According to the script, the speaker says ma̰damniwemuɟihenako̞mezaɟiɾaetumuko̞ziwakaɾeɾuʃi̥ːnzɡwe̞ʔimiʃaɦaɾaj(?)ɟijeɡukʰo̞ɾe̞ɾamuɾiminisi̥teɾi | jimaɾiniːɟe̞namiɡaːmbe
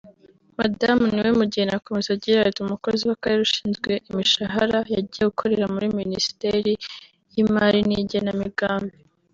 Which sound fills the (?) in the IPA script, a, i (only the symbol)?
a